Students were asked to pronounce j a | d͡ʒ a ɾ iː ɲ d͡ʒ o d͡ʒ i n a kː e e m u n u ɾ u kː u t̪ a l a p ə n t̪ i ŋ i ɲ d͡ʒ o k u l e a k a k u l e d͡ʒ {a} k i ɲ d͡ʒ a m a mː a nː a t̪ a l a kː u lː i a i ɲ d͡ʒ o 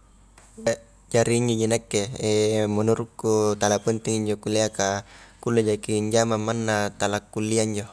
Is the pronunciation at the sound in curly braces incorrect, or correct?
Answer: correct